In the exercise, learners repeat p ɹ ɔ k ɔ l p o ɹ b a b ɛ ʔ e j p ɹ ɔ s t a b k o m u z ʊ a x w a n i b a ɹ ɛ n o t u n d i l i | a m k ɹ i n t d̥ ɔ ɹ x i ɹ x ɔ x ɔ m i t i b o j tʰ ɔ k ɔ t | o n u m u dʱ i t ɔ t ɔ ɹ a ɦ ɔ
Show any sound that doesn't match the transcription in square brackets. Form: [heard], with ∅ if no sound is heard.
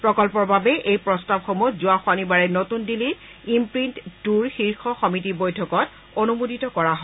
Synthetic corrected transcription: p ɹ ɔ k ɔ l p [ɔ] ɹ b a b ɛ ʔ e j p ɹ ɔ s t a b [x] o m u z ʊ a x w a n i b a ɹ ɛ n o t u n d i l i | [i] m [p] ɹ i n t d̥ [u] ɹ x i ɹ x ɔ x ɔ m i t i b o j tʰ ɔ k ɔ t | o n u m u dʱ i t ɔ [k] ɔ ɹ a ɦ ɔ